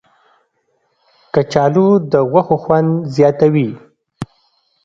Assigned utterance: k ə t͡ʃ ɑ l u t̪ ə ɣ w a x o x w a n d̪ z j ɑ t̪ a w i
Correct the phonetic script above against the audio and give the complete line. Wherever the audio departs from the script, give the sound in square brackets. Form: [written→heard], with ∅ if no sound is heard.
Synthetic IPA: k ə t͡ʃ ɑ l u [t̪→d̪] ə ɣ w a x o x w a n d̪ z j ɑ t̪ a w i

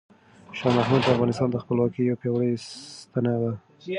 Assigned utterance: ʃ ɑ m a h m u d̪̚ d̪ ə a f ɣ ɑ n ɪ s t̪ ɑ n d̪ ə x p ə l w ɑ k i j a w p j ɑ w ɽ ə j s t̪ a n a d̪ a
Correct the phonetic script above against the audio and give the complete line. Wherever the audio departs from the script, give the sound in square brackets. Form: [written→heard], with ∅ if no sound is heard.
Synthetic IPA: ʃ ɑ m a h m u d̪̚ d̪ ə a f ɣ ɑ n ɪ s t̪ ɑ n d̪ ə x p ə l w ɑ k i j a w p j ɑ w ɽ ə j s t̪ a n a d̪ a

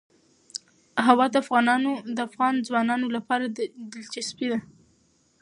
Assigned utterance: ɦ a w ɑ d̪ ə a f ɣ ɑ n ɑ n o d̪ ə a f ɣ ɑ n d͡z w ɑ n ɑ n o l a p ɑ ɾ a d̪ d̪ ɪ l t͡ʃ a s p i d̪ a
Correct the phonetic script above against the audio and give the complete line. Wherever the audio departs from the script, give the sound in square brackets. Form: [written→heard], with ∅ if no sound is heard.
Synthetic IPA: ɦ a w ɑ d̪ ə a f ɣ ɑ n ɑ n o d̪ ə a f ɣ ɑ n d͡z w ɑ n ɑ n o l a p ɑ ɾ a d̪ d̪ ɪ l t͡ʃ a s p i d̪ a

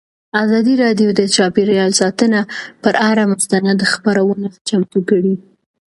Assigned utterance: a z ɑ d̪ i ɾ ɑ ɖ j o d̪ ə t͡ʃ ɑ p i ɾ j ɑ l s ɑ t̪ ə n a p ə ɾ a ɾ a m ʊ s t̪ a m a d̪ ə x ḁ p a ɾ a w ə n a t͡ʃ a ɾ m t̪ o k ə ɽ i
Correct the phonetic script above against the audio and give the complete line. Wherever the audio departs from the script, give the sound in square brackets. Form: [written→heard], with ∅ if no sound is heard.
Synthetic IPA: a z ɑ d̪ i ɾ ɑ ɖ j o d̪ ə t͡ʃ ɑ p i ɾ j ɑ l s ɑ t̪ ə n a p ə ɾ a ɾ a m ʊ s t̪ a [m→n] a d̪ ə x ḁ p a ɾ a w ə n a t͡ʃ a [ɾ→∅] m t̪ [o→u] k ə ɽ i

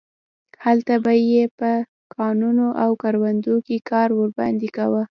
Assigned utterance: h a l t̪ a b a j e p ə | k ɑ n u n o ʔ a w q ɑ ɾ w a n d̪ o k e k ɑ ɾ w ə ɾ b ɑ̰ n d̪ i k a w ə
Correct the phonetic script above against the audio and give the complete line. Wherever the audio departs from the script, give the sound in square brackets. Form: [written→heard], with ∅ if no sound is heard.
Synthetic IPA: h a l t̪ a b a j e p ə | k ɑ n u n o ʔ a w [q→k] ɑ ɾ w a n d̪ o k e k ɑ ɾ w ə ɾ b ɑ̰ n d̪ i k a w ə

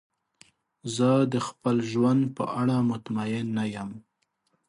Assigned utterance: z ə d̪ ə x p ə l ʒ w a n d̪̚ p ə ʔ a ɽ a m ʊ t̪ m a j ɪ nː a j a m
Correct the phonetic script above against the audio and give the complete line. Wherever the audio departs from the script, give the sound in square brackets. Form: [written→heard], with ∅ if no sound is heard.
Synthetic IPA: z ə d̪ ə x p ə l ʒ w a n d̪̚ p ə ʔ a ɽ a m ʊ t̪ m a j ɪ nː a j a m

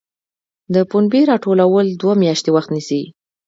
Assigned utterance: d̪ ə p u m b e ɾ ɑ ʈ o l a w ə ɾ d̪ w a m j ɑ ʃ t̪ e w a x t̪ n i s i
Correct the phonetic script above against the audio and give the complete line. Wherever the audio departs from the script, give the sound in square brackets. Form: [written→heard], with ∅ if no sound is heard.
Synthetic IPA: d̪ ə p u [m→n] b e ɾ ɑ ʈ o l a w ə [ɾ→l] d̪ w a m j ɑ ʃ t̪ e w a x t̪ n i s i

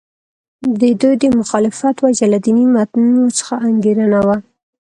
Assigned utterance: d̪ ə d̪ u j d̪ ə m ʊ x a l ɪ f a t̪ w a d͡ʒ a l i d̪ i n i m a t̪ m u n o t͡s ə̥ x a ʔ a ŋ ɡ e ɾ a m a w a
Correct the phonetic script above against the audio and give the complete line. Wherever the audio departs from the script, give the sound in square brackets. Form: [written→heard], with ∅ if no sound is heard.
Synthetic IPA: d̪ ə d̪ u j d̪ ə m ʊ x [a→ɑ] l ɪ f a t̪ w a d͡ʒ a l [i→a] d̪ i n i m a t̪ [m→n] u n o t͡s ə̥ x a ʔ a ŋ ɡ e ɾ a [m→n] a w a

